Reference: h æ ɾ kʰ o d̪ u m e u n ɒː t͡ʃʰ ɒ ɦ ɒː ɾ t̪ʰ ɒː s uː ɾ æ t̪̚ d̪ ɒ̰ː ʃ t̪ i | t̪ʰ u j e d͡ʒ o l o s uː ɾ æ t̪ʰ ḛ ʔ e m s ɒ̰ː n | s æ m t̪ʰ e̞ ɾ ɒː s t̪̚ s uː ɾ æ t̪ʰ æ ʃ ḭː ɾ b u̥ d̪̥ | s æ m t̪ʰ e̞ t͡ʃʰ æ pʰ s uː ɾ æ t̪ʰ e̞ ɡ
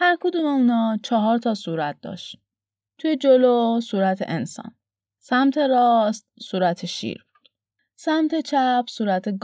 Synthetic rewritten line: h æ ɾ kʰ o d̪ u m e u n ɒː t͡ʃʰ ɒ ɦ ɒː ɾ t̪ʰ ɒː s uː ɾ æ t̪̚ d̪ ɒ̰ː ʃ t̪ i | t̪ʰ u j e d͡ʒ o l o s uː ɾ æ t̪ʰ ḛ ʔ e n s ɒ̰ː n | s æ m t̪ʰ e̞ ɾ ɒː s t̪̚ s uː ɾ æ t̪ʰ e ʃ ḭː ɾ b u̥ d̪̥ | s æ m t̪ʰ e̞ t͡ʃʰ æ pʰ s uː ɾ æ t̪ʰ e̞ ɡ